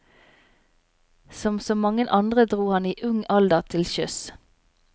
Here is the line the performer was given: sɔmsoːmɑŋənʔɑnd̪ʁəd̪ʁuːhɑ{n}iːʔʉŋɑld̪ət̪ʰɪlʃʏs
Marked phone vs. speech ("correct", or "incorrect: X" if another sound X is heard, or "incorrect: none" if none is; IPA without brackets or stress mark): correct